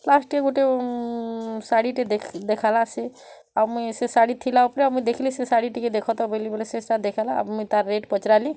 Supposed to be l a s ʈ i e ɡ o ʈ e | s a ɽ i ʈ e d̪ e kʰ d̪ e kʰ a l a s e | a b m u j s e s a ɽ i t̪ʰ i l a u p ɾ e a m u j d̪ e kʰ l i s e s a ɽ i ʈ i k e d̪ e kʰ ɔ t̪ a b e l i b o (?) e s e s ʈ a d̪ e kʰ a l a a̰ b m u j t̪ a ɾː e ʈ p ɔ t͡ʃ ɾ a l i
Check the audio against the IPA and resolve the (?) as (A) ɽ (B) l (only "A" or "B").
B